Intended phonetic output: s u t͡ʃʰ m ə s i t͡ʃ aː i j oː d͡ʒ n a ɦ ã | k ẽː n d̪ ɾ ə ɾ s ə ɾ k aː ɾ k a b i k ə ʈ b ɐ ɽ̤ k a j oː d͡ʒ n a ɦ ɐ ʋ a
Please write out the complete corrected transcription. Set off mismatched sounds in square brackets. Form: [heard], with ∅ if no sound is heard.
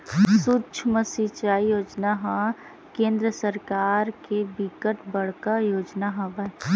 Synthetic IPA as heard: s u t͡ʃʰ m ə s i t͡ʃ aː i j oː d͡ʒ n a ɦ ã | k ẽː n d̪ ɾ ə [∅] s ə ɾ k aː ɾ k [e] b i k ə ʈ b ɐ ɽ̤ k a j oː d͡ʒ n a ɦ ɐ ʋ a